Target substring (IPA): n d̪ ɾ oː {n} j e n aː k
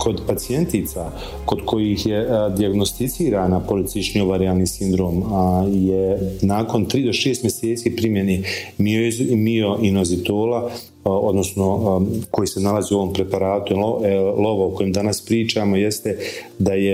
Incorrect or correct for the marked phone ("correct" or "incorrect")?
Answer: incorrect